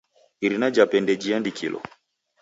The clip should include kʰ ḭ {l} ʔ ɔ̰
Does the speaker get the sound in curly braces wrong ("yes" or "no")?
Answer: no